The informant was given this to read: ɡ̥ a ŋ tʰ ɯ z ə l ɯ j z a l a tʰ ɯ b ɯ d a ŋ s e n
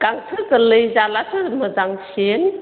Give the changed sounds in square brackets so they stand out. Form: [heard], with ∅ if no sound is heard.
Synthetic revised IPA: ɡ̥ a ŋ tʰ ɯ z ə l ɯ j z a l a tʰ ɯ [m] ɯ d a ŋ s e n